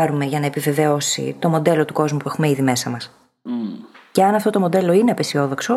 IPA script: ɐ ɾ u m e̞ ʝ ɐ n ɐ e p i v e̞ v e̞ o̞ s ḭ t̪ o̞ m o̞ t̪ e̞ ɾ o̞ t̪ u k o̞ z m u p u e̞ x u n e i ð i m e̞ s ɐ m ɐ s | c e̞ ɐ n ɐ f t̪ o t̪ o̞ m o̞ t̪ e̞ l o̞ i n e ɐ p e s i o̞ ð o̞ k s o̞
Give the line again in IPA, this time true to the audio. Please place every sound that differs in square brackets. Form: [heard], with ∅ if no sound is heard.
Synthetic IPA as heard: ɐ ɾ u m e̞ ʝ ɐ n ɐ e p i v e̞ v e̞ o̞ s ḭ t̪ o̞ m o̞ [d̪] e̞ [l] o̞ t̪ u k o̞ z m u p u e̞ x u [m] e i ð i m e̞ s ɐ m ɐ s | c e̞ ɐ n ɐ f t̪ o t̪ o̞ m o̞ [d̪] e̞ l o̞ i n e ɐ p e s i o̞ ð o̞ k s o̞